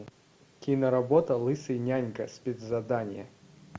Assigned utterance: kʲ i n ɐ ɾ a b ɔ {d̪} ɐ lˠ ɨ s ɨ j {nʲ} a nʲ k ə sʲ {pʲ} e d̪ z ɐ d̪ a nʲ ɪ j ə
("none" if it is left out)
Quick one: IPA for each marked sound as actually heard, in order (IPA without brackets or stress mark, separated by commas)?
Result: t̪, nʲ, pʲ